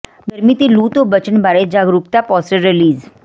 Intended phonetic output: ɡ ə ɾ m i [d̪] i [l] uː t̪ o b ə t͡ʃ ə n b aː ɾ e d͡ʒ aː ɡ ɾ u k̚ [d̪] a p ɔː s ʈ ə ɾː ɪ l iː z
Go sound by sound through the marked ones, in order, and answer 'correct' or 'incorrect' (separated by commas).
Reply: incorrect, correct, incorrect